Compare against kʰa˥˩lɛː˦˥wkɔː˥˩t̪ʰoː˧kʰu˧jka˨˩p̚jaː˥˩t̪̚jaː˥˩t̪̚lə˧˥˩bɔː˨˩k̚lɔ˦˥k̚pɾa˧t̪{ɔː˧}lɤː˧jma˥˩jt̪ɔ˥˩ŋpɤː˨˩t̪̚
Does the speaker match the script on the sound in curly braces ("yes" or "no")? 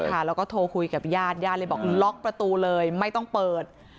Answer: no